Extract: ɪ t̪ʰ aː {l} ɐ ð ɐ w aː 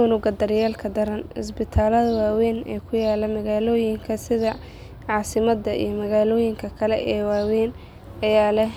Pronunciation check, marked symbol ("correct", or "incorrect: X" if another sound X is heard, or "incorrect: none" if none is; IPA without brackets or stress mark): correct